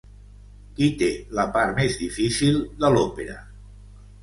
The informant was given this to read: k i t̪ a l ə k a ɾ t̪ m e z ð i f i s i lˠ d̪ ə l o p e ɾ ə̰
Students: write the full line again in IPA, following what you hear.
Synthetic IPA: k i t̪ e l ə p a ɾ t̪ m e z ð i f i s i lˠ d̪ ə l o p e ɾ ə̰